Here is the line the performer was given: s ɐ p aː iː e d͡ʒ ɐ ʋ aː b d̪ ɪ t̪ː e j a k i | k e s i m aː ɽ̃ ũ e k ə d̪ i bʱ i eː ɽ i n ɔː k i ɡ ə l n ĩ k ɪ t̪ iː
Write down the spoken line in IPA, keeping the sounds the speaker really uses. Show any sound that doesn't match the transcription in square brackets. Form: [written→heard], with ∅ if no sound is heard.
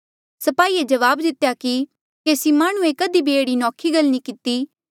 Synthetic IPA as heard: s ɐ p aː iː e d͡ʒ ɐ ʋ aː b d̪ ɪ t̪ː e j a k i | k e s i m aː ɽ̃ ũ e k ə d̪ i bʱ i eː ɽ i n ɔː [k→kʰ] i ɡ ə l n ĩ k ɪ t̪ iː